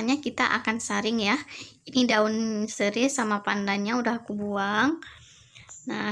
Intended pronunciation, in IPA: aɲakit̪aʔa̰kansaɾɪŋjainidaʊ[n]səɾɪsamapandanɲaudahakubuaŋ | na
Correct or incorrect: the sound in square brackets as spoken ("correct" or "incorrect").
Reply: correct